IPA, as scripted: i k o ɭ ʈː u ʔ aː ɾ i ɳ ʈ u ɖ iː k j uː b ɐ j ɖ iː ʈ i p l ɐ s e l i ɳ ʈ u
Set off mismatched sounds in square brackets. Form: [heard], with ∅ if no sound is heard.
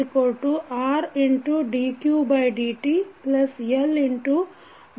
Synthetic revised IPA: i k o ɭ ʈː u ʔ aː ɾ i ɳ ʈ u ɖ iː k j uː b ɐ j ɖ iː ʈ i p l ɐ s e l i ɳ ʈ u